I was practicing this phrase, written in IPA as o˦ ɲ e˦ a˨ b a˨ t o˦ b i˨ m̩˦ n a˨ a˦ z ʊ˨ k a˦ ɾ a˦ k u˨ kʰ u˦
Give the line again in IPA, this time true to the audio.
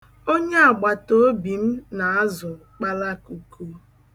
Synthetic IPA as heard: o˦ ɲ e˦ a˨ ɡ͡b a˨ t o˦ b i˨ m̩˦ n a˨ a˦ z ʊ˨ k͡p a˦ l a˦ k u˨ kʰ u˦